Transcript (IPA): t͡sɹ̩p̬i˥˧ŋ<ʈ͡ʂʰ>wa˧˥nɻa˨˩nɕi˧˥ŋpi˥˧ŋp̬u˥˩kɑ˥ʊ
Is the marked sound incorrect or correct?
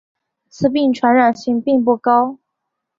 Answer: correct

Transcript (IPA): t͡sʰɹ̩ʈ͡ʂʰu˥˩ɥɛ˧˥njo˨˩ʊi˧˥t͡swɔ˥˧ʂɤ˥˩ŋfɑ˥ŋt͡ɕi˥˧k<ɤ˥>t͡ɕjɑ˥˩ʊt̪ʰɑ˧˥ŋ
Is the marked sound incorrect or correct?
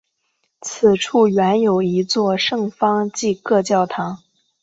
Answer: incorrect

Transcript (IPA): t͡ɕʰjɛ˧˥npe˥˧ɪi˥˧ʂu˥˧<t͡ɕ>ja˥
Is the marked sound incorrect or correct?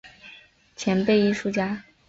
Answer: correct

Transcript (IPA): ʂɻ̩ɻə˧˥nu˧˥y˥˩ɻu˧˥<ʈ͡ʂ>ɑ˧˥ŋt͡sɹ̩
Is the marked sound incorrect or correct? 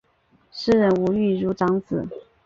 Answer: correct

